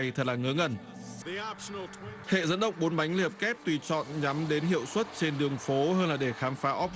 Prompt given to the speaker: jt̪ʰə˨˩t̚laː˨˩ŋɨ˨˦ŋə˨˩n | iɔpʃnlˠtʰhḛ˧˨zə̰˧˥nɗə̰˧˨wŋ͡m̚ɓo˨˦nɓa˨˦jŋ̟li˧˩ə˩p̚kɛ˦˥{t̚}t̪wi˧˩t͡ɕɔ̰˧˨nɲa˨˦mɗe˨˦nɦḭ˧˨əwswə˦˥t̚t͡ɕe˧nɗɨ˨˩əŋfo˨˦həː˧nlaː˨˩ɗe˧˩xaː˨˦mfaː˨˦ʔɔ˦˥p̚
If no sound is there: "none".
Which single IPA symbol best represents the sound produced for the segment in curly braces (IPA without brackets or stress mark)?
p̚